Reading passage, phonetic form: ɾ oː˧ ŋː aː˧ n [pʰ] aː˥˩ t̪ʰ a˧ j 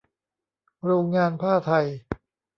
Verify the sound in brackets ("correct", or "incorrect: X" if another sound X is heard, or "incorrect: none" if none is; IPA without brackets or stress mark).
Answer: correct